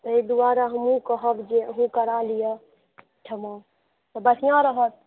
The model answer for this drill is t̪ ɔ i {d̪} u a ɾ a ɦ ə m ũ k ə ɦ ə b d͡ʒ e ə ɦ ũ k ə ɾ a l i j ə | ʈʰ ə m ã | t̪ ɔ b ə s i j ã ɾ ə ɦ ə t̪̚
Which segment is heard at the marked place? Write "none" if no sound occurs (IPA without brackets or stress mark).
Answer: d̪